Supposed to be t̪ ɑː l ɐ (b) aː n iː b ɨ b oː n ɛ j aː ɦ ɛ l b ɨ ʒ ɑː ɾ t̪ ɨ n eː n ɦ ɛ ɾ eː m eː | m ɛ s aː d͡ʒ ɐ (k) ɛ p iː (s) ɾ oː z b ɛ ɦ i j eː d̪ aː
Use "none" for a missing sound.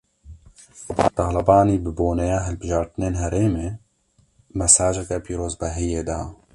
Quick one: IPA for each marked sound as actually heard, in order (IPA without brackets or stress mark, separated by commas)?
b, k, none